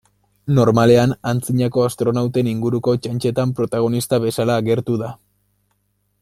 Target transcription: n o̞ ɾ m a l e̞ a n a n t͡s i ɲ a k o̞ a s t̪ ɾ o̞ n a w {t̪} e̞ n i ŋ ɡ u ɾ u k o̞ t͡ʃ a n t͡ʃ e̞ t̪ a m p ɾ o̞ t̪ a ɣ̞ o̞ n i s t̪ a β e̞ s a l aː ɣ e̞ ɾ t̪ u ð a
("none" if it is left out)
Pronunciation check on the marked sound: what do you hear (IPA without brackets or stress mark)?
t̪